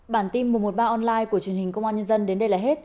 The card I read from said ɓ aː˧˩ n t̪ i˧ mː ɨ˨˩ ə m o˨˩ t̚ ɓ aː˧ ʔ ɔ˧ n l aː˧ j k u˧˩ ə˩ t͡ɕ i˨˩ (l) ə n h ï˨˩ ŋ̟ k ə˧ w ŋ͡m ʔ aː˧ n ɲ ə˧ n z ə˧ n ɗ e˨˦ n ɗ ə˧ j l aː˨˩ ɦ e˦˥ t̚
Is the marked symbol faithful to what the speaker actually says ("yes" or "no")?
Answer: no